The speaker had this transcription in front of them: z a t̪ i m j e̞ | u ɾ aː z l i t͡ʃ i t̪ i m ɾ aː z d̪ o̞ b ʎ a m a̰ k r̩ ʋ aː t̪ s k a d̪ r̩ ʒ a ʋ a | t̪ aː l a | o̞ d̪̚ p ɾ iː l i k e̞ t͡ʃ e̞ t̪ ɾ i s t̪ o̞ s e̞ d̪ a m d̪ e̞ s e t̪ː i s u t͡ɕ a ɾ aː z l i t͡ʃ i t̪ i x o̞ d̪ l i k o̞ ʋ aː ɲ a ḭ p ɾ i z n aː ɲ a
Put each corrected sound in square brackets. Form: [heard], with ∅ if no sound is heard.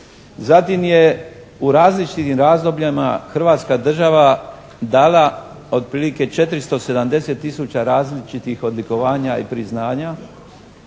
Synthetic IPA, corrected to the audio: z a t̪ i m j e̞ | u ɾ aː z l i t͡ʃ i t̪ i m ɾ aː z d̪ o̞ b ʎ a m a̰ [x] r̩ ʋ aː t̪ s k a d̪ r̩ ʒ a ʋ a | [d̪] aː l a | o̞ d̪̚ p ɾ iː l i k e̞ t͡ʃ e̞ t̪ ɾ i s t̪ o̞ s e̞ d̪ a m d̪ e̞ s e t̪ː i s u t͡ɕ a ɾ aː z l i t͡ʃ i t̪ i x o̞ d̪ l i k o̞ ʋ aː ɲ a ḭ p ɾ i z n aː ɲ a